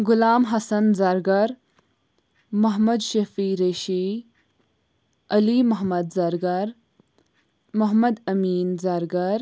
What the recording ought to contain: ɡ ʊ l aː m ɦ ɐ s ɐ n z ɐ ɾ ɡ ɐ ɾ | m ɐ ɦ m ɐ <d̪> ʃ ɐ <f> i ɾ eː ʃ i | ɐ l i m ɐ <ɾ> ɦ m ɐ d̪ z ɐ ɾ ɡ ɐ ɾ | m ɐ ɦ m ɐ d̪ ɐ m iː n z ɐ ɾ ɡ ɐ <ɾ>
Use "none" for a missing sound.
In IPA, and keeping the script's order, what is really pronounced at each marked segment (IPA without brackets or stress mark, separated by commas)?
d̪, f, none, ɾ